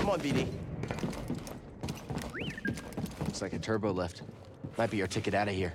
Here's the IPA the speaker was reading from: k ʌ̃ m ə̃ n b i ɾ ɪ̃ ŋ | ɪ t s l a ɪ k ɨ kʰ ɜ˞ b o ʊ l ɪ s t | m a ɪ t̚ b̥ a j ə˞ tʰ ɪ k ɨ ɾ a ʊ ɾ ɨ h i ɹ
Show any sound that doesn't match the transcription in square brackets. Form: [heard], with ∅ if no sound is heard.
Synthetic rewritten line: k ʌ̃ m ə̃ n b i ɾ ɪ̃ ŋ | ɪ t s l a ɪ k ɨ [tʰ] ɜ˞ b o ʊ l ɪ [f] t | m a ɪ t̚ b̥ [i] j ə˞ tʰ ɪ k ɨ ɾ a ʊ ɾ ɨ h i ɹ